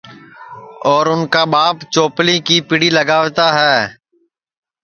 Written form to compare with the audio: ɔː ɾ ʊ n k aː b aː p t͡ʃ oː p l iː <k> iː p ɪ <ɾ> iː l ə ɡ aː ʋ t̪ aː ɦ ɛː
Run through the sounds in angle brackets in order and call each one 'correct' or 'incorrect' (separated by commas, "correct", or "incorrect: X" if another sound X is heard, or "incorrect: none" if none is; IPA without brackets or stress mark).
correct, incorrect: ɽ